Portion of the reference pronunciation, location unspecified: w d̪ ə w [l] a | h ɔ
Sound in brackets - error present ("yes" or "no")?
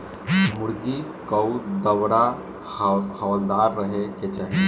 yes